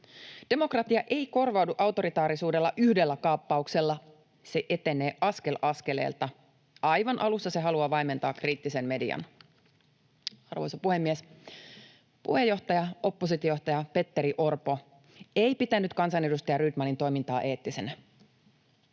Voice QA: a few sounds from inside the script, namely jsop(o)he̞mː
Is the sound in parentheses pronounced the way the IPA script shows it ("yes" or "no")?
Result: no